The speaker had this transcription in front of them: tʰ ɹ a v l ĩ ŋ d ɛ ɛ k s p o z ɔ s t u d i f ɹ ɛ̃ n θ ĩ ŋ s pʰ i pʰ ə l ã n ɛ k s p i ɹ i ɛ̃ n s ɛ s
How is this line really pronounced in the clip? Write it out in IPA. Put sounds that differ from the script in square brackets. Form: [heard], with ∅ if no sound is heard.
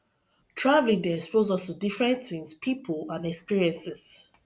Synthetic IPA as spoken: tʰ ɹ a v l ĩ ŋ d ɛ ɛ k s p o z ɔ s t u d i f ɹ ɛ̃ n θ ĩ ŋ s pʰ i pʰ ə l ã n ɛ k s p i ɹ i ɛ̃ n s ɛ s